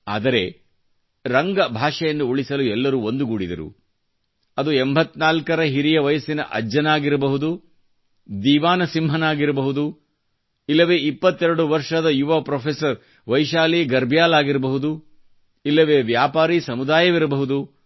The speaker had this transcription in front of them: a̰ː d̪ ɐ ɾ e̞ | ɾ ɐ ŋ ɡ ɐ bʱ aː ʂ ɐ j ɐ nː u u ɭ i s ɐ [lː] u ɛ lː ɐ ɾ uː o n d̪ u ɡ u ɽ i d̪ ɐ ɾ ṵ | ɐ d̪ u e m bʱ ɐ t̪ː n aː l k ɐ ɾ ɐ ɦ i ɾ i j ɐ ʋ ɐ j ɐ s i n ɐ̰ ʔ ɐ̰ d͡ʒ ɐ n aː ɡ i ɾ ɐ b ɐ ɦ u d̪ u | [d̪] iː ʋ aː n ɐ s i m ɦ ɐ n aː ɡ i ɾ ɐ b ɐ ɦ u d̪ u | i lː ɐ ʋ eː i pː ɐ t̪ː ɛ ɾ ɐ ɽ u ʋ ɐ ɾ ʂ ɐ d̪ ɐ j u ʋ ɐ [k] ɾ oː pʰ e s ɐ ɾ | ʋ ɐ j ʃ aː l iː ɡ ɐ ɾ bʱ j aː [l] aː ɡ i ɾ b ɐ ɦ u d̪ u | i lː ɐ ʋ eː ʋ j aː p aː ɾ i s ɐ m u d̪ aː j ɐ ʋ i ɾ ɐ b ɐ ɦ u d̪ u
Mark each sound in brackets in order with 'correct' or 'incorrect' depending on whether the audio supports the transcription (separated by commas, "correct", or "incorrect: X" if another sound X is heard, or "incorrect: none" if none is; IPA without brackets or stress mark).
incorrect: l, correct, incorrect: p, correct